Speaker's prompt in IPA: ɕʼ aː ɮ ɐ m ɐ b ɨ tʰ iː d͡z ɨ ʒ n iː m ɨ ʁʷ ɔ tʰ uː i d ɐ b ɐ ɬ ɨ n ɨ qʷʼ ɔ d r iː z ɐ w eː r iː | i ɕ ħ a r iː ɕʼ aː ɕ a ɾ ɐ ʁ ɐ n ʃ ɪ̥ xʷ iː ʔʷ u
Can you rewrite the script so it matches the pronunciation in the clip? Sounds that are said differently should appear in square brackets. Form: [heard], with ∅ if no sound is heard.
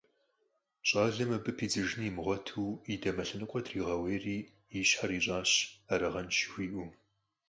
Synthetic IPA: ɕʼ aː ɮ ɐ m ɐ b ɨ [pʰ] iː d͡z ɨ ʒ n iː m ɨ ʁʷ ɔ tʰ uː i d ɐ [m] ɐ ɬ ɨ n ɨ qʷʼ ɔ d r iː [ʁ] ɐ w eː r iː | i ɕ ħ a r iː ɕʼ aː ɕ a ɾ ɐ ʁ ɐ n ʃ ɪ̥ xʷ iː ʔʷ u